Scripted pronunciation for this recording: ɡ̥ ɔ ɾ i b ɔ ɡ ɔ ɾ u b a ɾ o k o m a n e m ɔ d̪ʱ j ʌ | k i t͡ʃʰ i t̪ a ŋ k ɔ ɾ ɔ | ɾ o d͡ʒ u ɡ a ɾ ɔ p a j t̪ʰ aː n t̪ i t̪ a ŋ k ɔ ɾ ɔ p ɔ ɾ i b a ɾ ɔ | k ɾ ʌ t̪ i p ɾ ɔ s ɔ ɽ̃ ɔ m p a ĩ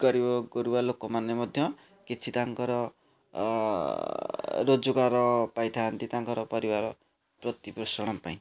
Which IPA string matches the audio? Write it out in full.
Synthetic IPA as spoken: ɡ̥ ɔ ɾ i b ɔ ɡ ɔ ɾ u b a l o k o m a n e m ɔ d̪ʱ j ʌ | k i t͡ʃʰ i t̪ a ŋ k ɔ ɾ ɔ | ɾ o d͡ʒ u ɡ a ɾ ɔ p a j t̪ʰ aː n t̪ i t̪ a ŋ k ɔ ɾ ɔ p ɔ ɾ i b a ɾ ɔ | p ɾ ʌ t̪ i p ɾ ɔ s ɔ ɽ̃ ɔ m p a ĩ

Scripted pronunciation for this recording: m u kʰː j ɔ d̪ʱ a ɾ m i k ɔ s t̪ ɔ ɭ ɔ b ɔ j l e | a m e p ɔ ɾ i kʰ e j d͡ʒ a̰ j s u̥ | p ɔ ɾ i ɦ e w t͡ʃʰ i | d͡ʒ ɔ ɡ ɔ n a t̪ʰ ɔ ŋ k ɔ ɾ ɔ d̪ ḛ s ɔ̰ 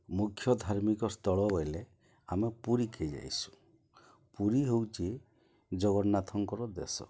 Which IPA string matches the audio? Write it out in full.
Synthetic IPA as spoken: m u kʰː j ɔ d̪ʱ a ɾ m i k ɔ s t̪ ɔ ɭ ɔ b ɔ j l e | a m e p u ɾ i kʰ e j d͡ʒ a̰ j s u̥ | p u ɾ i ɦ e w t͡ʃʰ i | d͡ʒ ɔ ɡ ɔ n a t̪ʰ ɔ ŋ k ɔ ɾ ɔ d̪ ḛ s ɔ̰

